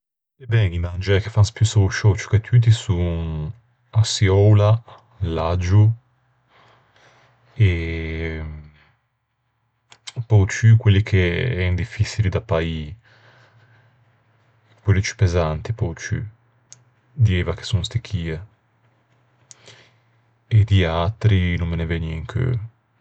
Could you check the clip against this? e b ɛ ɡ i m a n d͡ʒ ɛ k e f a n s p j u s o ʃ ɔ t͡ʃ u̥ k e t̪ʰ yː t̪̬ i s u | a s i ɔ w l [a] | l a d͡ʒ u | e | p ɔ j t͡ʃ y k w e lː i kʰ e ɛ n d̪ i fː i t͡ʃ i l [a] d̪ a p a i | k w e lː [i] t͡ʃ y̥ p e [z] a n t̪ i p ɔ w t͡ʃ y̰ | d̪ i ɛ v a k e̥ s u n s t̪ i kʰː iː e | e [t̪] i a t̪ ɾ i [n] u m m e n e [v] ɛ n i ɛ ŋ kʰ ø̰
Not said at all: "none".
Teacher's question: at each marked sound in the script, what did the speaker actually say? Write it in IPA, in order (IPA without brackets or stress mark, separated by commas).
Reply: a, i, i, z, d̪, n, v